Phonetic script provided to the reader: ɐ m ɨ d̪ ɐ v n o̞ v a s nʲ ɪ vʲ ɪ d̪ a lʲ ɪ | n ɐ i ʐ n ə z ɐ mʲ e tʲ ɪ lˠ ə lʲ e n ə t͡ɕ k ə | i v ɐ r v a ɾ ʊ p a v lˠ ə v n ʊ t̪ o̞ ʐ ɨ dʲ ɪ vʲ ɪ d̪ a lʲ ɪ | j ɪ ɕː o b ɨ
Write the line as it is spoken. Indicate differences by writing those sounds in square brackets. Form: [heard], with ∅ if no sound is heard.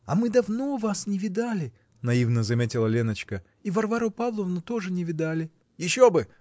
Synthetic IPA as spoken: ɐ m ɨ d̪ ɐ v n o̞ v a s nʲ ɪ vʲ ɪ d̪ a lʲ ɪ | n ɐ i [v] n ə z ɐ mʲ e tʲ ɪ lˠ ə lʲ e n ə t͡ɕ k ə | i v ɐ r v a ɾ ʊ p a v lˠ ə v n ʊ t̪ o̞ ʐ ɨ [nʲ] ɪ vʲ ɪ d̪ a lʲ ɪ | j ɪ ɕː o b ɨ

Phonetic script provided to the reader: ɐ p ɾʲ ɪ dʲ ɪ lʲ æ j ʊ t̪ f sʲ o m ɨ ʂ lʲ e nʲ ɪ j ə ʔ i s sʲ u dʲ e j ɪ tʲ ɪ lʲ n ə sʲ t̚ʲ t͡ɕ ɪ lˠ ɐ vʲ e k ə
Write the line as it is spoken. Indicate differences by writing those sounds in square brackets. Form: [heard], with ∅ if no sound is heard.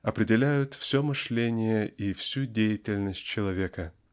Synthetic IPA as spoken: ɐ p ɾʲ ɪ dʲ ɪ lʲ æ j ʊ t̪ f sʲ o m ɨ ʂ lʲ e nʲ ɪ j ə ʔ i [f] sʲ u dʲ e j ɪ tʲ ɪ lʲ n ə sʲ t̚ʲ t͡ɕ ɪ lˠ ɐ vʲ e k ə

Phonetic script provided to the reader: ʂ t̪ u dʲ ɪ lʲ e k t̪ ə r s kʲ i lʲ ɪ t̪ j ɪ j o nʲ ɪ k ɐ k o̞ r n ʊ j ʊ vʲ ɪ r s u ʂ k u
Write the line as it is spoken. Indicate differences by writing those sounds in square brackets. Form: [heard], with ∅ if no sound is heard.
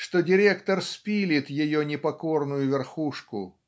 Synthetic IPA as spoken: ʂ t̪ [o] dʲ ɪ [ɾʲ] e k t̪ ə r s [pʲ] i lʲ ɪ t̪ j ɪ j o nʲ ɪ [p] ɐ k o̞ r n ʊ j ʊ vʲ ɪ r [x] u ʂ k [ʊ]

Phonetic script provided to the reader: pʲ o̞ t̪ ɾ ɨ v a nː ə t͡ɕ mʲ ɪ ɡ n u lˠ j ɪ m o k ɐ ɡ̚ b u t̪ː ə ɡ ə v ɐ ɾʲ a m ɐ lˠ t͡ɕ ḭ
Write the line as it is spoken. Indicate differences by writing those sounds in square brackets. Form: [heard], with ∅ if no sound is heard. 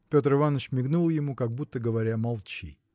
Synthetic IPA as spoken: pʲ o̞ t̪ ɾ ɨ v a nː ə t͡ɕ mʲ ɪ ɡ n u lˠ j ɪ m [u] k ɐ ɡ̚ b u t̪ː ə ɡ ə v ɐ ɾʲ a m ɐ lˠ t͡ɕ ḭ

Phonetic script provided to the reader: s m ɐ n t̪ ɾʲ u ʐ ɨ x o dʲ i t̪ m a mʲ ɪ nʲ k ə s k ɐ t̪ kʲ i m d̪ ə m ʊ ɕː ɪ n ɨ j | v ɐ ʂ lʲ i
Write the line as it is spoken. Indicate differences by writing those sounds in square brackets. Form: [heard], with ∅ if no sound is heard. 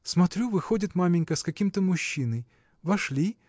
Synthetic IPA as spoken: s m ɐ [∅] t̪ ɾʲ u [v] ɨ x o dʲ [ɪ] t̪ m a mʲ ɪ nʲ k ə s k ɐ [∅] kʲ i m [t̪] ə m ʊ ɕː [i] n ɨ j | v ɐ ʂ lʲ i

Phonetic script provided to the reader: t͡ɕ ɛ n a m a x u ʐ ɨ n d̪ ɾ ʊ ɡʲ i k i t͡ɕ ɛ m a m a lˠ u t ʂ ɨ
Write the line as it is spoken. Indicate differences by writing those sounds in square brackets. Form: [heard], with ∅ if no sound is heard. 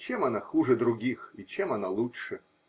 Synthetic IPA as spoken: t͡ɕ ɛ [m] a [n] a x u ʐ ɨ [∅] d̪ ɾ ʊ ɡʲ i [x] i t͡ɕ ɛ m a [n] a lˠ u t ʂ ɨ

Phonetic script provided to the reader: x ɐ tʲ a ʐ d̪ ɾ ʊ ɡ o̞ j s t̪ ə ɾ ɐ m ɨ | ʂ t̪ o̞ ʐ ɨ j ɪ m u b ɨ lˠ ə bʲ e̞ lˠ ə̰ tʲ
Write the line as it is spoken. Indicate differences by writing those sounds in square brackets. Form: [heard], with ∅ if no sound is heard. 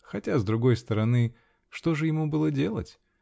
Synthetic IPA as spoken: x ɐ tʲ a [z] d̪ ɾ ʊ ɡ o̞ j s t̪ ə ɾ ɐ [n] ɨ | ʂ t̪ o̞ ʐ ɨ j ɪ m u b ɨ lˠ ə [dʲ] e̞ lˠ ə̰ tʲ

